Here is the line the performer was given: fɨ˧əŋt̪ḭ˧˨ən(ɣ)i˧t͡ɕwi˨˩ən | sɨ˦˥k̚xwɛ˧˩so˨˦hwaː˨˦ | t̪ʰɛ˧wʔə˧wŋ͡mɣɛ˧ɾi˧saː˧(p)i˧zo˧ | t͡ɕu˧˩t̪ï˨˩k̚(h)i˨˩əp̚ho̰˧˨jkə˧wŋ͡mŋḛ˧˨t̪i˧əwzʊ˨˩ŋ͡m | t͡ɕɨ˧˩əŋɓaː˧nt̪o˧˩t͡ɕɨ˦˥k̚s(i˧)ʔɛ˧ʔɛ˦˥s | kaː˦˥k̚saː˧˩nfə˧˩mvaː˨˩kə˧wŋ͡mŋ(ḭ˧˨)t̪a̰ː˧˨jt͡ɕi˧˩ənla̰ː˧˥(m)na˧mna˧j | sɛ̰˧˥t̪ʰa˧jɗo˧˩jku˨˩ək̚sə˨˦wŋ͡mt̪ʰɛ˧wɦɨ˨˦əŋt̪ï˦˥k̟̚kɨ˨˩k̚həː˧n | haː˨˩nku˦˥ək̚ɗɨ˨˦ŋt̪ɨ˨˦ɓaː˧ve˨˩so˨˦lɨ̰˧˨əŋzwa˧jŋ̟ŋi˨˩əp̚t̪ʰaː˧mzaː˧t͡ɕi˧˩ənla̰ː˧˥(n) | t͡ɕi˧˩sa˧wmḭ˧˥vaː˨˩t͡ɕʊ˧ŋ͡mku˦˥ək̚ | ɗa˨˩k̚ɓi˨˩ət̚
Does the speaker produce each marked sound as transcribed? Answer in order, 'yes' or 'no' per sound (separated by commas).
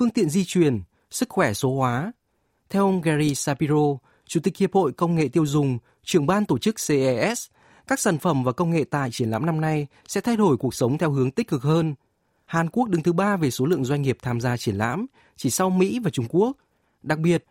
no, yes, yes, no, no, yes, no